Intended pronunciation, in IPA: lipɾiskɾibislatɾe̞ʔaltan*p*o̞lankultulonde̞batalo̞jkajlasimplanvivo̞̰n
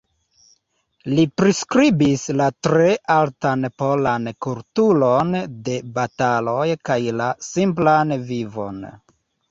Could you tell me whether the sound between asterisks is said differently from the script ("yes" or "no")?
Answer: no